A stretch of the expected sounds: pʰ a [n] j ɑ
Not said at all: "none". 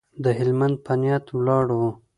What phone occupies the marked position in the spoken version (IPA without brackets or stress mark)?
n